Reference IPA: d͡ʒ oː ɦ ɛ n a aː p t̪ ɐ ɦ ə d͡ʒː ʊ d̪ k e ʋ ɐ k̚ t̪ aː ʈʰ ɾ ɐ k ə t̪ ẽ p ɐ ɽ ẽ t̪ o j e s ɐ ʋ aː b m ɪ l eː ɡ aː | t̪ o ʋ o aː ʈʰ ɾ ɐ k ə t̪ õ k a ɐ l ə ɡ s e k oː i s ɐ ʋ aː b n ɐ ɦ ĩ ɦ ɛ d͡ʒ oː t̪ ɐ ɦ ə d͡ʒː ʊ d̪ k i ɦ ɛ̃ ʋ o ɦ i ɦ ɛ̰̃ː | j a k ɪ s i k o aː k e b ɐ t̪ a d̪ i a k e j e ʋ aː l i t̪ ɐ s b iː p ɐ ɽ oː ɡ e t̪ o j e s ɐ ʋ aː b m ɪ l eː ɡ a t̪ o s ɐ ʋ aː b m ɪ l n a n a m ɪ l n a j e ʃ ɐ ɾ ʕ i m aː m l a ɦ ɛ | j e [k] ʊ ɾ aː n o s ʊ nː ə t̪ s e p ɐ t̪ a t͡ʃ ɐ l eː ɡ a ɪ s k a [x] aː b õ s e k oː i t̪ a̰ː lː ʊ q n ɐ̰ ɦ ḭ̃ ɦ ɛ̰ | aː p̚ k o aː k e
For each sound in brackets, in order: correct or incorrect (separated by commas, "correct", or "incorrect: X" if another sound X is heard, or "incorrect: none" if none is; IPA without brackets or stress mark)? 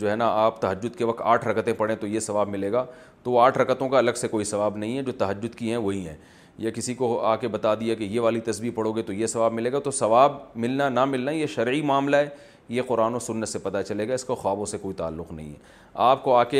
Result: incorrect: q, correct